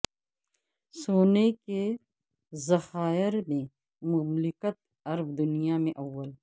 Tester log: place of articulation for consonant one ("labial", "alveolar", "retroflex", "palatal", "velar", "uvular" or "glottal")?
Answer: alveolar